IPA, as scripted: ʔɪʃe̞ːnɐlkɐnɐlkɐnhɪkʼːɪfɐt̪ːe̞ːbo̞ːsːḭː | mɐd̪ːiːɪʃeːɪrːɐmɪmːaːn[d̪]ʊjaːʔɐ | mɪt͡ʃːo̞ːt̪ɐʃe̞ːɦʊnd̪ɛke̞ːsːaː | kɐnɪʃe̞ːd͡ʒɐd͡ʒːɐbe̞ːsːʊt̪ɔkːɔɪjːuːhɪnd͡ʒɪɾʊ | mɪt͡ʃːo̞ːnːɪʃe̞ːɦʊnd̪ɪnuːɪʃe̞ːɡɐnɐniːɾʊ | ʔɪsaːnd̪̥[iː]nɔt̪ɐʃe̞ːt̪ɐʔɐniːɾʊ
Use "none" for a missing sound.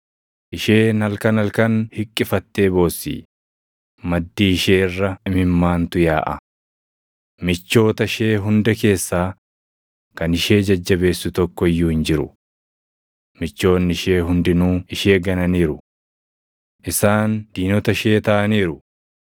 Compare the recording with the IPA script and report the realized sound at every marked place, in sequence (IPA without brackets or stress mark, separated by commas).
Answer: t̪, iː